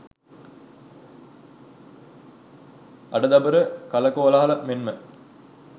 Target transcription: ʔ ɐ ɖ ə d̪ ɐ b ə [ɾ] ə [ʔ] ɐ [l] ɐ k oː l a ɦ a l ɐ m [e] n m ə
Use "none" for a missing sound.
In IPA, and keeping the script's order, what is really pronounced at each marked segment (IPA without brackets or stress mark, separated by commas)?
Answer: ɾ, k, l, e